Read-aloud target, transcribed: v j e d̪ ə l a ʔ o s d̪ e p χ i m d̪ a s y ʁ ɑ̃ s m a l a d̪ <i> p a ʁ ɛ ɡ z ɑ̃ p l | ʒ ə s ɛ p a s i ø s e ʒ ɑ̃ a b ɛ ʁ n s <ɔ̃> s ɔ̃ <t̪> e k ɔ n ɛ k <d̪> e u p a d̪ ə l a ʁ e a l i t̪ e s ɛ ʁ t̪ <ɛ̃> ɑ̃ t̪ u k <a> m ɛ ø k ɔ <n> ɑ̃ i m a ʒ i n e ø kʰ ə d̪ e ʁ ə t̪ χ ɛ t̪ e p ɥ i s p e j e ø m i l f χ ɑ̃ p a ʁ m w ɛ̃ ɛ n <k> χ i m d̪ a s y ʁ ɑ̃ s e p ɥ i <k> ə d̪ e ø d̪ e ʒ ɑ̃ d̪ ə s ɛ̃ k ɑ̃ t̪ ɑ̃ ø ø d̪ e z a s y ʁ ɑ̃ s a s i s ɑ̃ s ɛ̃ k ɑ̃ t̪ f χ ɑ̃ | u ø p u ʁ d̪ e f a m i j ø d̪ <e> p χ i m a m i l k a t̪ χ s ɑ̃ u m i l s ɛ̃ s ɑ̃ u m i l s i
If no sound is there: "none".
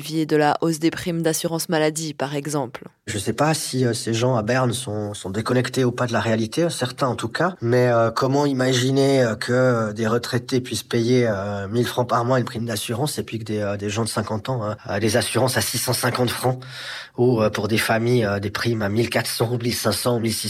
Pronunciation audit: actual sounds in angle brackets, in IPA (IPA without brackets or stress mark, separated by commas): i, ɔ̃, d̪, t̪, ɛ̃, a, m, p, k, e